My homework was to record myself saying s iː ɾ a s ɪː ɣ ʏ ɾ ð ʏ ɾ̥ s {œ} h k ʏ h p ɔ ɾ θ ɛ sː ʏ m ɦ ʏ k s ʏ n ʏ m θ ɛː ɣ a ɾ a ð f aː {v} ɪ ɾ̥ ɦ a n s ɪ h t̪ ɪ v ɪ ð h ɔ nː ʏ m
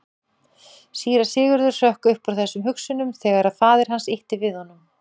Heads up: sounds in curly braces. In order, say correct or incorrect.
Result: correct, incorrect

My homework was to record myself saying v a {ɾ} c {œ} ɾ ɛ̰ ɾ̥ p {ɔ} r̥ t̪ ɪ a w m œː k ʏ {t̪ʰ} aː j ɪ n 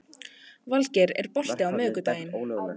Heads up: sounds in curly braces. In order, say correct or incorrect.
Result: incorrect, incorrect, correct, incorrect

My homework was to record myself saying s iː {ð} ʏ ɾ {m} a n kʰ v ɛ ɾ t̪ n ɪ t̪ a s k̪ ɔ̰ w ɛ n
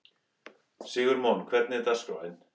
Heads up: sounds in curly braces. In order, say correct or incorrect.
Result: incorrect, correct

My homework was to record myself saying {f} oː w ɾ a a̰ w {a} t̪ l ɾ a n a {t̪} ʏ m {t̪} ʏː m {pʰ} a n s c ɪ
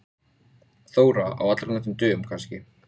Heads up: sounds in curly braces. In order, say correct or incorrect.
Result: incorrect, correct, correct, correct, incorrect

